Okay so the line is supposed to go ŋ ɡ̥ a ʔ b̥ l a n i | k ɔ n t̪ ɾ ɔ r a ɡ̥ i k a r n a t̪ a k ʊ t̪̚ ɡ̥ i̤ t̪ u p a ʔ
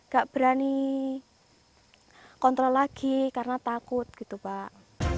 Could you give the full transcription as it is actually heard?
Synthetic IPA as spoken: ŋ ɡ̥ a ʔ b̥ ɾ a n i | k ɔ n t̪ ɾ ɔ l a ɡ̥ i k a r n a t̪ a k ʊ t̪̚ ɡ̥ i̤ t̪ u p a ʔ